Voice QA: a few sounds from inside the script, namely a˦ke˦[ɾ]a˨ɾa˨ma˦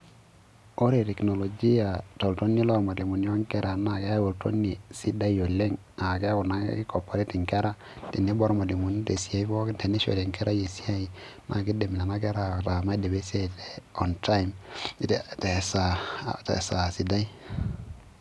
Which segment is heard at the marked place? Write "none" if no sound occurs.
ɾ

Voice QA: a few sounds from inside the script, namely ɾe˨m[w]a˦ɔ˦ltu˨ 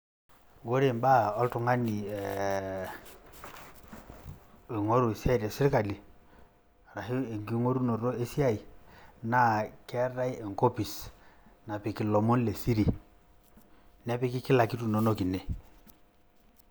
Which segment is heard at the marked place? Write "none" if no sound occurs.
b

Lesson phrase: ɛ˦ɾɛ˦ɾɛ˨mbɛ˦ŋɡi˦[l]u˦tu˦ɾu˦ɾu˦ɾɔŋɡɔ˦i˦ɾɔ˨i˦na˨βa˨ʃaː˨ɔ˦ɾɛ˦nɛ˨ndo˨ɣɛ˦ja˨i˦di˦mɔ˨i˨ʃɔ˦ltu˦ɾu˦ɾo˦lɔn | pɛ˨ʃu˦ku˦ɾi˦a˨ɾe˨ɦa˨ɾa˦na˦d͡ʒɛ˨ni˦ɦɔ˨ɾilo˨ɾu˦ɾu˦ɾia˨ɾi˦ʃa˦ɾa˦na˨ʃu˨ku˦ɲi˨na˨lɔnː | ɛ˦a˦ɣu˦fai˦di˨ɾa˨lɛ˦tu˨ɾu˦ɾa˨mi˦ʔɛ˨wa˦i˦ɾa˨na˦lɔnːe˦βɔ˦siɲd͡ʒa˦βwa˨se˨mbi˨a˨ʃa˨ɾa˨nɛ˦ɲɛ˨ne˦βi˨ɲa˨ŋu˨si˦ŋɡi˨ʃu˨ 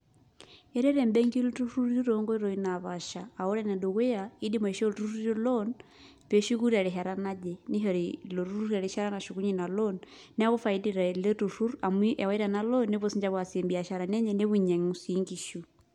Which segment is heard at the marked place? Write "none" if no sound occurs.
l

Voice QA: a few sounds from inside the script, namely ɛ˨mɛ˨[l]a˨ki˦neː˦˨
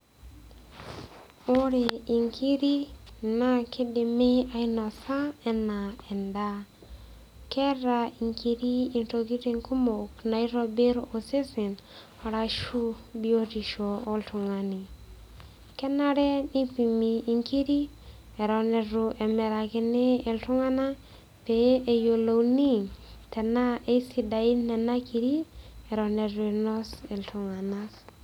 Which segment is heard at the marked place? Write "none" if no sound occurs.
ɾ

